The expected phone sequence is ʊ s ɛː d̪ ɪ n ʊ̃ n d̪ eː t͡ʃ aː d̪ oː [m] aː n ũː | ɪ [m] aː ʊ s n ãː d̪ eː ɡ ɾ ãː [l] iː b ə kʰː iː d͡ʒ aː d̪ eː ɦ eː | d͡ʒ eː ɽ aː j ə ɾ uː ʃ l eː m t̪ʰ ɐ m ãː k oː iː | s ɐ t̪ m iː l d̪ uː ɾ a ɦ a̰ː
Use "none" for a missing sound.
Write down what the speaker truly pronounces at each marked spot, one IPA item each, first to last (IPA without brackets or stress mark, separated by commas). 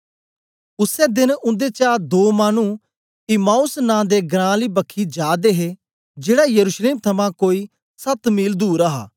m, m, l